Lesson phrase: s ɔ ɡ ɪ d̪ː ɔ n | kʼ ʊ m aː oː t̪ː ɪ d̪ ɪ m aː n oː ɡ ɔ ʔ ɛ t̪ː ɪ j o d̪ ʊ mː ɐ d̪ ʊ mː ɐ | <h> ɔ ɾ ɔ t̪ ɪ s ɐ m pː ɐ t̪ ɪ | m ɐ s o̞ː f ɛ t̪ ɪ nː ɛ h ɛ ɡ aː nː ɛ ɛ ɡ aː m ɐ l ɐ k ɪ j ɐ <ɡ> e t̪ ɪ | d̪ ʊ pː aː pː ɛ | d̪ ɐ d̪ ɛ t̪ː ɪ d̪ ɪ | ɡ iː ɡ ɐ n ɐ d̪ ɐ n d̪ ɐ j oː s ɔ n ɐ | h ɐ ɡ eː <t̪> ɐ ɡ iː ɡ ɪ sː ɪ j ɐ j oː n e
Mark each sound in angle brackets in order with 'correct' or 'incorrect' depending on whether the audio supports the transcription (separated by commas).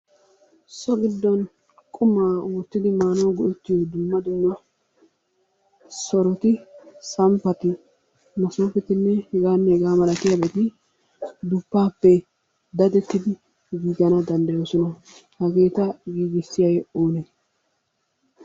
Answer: incorrect, incorrect, correct